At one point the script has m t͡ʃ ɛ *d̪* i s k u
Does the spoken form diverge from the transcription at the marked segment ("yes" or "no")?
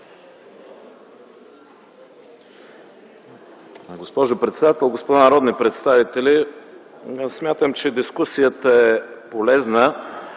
no